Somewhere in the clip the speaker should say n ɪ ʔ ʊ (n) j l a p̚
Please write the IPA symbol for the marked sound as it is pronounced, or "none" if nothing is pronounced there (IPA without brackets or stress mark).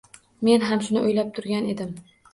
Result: none